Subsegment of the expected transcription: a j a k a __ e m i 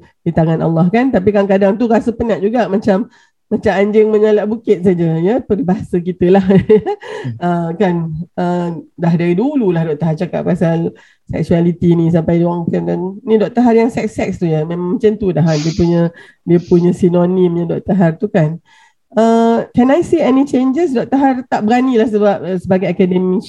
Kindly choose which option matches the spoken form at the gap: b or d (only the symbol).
d